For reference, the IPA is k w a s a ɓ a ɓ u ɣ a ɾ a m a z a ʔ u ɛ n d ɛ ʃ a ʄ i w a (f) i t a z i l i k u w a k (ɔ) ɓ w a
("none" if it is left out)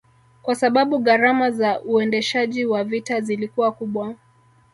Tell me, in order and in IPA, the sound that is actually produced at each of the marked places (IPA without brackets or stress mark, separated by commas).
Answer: v, u